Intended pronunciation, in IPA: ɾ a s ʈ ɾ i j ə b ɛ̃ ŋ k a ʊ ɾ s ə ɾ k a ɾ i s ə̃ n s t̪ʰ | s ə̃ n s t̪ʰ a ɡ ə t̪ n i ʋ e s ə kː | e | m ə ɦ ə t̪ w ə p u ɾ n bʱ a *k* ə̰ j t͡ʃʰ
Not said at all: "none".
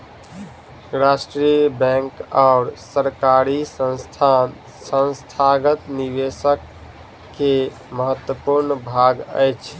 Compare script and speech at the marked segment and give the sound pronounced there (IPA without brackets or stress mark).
ɡ